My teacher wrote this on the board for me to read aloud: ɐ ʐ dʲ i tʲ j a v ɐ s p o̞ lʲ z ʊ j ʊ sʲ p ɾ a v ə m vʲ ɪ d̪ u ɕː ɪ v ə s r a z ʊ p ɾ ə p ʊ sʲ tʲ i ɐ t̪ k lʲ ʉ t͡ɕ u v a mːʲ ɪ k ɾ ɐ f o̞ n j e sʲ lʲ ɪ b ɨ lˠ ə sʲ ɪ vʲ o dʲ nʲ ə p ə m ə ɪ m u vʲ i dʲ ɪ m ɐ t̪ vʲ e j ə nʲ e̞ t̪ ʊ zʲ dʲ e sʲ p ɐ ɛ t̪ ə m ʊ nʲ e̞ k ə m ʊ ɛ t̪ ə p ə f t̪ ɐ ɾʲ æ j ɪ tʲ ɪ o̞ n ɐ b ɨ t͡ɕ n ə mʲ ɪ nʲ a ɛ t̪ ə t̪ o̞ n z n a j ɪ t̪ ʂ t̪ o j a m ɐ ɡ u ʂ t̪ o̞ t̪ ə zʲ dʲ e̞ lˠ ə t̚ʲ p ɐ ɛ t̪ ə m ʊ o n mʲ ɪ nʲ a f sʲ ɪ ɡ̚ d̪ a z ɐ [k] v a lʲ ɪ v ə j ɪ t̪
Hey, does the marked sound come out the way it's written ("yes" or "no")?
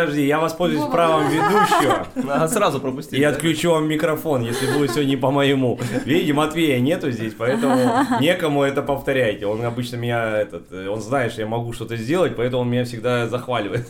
no